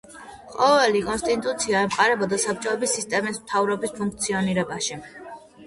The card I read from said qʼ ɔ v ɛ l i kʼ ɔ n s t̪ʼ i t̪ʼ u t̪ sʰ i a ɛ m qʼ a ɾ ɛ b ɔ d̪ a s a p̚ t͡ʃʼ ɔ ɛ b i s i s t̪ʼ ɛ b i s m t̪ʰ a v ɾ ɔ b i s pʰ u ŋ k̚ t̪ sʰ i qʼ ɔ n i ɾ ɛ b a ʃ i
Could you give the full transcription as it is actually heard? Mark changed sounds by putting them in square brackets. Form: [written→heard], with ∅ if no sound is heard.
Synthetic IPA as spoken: qʼ ɔ v ɛ l i kʼ ɔ n s t̪ʼ i t̪ʼ u t̪ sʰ i a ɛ m qʼ a ɾ ɛ b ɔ d̪ a s a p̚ t͡ʃʼ ɔ ɛ b i s i s t̪ʼ ɛ [b→m] i s m t̪ʰ a v ɾ ɔ b i s pʰ u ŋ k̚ t̪ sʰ i [qʼ→∅] ɔ n i ɾ ɛ b a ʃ i